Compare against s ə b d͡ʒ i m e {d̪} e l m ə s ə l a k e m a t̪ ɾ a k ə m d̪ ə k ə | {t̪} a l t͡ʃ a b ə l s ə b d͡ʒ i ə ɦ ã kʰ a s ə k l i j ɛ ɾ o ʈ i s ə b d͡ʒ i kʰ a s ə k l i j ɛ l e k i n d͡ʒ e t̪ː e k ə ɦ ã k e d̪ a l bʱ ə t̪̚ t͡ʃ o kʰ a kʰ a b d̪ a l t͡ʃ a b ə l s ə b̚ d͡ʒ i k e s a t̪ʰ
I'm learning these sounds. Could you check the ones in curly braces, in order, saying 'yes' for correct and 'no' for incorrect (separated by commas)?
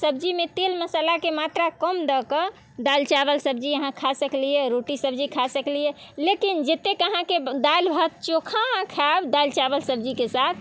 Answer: no, no